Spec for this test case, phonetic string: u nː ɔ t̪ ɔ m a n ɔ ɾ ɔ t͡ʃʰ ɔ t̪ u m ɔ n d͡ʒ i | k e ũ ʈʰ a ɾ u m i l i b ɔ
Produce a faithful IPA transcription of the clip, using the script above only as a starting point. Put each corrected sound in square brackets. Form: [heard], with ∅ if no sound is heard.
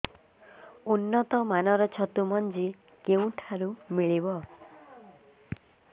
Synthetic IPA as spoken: u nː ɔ t̪ ɔ m a n ɔ ɾ ɔ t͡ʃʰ ɔ t̪ u m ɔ n d͡ʒ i | k e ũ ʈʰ a ɾ u m i [ɭ] i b ɔ